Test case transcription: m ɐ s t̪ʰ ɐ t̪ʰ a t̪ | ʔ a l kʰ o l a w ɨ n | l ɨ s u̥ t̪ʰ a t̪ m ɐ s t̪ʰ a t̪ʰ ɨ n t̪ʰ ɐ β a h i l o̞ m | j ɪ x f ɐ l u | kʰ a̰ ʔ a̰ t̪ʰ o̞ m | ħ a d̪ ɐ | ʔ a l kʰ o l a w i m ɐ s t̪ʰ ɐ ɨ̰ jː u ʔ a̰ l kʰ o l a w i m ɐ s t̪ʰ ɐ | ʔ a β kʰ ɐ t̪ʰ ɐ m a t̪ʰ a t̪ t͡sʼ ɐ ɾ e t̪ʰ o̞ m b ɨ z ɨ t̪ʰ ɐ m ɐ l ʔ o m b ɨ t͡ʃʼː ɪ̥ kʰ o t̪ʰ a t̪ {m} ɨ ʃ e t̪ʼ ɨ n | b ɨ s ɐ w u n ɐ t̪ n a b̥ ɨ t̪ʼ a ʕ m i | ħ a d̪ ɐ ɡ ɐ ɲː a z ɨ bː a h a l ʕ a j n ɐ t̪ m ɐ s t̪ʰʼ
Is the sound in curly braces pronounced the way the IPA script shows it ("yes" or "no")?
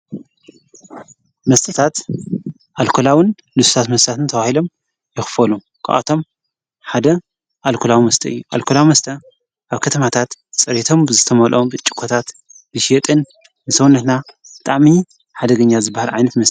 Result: no